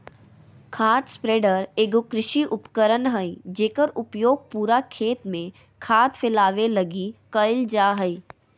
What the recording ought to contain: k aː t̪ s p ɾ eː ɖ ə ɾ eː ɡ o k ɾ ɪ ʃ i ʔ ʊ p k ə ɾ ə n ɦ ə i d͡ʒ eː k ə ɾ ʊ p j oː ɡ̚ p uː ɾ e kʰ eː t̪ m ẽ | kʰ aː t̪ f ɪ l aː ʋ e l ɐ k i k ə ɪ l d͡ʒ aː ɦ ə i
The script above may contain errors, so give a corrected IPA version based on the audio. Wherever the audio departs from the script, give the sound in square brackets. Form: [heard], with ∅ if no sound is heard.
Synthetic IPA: [kʰ] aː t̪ s p ɾ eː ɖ ə ɾ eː ɡ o k ɾ ɪ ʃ i ʔ ʊ p k ə ɾ ə n ɦ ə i d͡ʒ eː k ə ɾ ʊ p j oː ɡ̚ p uː ɾ [a] kʰ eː t̪ m ẽ | kʰ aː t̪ f ɪ l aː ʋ e l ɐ [ɡ] i k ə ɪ l d͡ʒ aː ɦ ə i